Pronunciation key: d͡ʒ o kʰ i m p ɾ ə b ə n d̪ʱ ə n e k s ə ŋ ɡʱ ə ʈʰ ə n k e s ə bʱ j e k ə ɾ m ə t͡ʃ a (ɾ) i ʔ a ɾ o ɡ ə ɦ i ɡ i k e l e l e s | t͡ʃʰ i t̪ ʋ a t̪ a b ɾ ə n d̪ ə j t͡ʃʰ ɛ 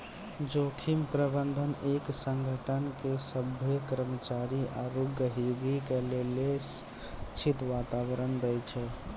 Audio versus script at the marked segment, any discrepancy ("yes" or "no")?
no